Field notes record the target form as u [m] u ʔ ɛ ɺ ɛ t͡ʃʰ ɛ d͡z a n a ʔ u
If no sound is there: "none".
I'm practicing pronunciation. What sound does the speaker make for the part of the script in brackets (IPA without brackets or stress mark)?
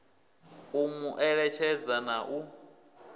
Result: m